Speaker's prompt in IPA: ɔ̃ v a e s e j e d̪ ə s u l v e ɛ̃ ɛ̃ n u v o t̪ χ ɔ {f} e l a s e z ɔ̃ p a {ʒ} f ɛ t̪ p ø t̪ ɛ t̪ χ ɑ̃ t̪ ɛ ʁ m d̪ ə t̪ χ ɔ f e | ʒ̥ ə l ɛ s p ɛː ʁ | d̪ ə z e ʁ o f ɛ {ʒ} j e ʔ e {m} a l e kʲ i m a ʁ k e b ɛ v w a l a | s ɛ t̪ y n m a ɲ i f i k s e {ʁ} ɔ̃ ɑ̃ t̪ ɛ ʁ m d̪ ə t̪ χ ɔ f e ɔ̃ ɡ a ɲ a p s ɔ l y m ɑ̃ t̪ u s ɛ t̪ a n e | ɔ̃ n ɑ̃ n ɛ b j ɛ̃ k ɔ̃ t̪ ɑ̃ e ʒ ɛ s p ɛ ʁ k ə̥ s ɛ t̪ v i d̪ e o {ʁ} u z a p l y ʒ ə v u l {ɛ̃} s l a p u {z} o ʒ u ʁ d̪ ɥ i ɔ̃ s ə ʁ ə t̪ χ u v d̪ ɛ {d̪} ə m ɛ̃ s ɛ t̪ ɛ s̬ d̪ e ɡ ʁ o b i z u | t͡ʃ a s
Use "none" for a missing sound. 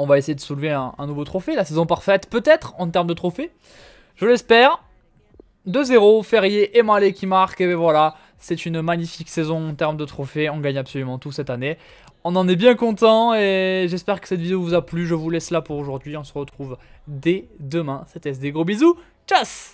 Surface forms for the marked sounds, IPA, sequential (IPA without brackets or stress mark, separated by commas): f, ʁ, ʁ, m, z, v, ɛ, ʁ, d̪